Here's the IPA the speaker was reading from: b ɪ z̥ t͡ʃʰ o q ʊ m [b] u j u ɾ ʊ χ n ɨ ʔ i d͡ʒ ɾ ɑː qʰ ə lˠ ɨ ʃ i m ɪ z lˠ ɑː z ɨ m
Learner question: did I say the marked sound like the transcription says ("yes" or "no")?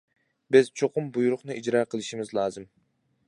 yes